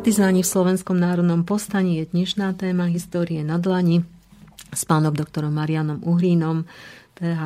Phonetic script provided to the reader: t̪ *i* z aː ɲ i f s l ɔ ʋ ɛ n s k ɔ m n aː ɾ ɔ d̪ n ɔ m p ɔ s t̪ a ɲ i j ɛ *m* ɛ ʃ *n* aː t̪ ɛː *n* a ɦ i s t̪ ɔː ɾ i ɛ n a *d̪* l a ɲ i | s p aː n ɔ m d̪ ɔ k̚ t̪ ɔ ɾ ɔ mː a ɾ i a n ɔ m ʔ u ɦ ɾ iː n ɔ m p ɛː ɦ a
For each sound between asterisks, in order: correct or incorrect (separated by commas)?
correct, incorrect, correct, incorrect, correct